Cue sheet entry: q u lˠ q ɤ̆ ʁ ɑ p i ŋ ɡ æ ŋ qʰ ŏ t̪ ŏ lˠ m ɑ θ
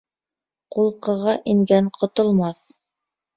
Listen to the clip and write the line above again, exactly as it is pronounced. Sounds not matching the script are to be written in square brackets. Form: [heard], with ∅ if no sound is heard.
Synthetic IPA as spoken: q u lˠ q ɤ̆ ʁ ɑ [ʔ] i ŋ ɡ æ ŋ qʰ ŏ t̪ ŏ lˠ m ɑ θ